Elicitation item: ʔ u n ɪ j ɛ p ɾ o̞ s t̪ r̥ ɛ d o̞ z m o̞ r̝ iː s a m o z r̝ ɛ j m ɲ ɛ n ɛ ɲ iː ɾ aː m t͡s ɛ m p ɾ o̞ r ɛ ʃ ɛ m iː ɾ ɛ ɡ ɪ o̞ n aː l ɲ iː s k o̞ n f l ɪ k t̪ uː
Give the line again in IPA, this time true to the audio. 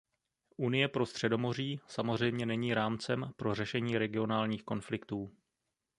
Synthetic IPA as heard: ʔ u n ɪ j ɛ p ɾ o̞ s t̪ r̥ ɛ d o̞ m o̞ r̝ iː s a m o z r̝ ɛ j m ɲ ɛ n ɛ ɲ iː ɾ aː m t͡s ɛ m p ɾ o̞ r ɛ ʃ ɛ ɲ iː ɾ ɛ ɡ ɪ o̞ n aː l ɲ iː x k o̞ n f l ɪ k t̪ uː